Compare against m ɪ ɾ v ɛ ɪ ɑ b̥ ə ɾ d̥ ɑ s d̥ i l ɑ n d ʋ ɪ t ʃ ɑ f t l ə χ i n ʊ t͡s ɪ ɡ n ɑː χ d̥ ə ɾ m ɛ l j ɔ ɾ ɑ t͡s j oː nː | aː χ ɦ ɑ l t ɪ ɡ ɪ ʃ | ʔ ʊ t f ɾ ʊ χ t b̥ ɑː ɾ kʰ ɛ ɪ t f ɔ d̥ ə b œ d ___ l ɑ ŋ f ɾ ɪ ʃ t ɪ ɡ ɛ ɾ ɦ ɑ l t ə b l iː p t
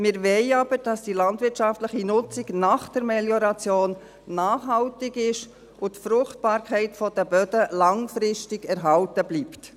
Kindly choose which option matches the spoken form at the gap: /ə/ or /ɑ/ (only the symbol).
ə